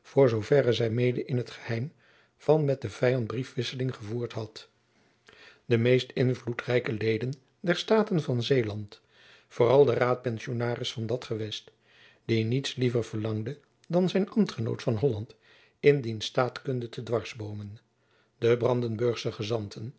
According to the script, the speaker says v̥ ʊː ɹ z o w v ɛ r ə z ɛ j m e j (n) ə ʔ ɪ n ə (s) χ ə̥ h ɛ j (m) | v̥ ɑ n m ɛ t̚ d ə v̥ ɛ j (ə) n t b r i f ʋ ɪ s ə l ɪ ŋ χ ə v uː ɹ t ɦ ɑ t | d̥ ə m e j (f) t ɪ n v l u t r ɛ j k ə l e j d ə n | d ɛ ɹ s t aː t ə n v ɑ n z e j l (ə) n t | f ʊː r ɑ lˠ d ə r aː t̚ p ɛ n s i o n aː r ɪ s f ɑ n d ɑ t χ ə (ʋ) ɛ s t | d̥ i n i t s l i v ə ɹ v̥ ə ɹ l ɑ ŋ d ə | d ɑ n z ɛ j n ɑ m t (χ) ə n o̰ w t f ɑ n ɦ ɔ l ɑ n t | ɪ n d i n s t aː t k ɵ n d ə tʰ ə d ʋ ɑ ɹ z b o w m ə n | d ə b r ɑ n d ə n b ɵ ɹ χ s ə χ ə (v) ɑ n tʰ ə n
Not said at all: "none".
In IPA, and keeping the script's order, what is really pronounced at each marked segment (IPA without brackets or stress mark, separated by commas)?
d, t, m, ɑ, s, ɑ, ʋ, χ, z